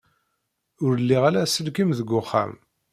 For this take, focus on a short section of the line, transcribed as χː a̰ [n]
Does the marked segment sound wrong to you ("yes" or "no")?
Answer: yes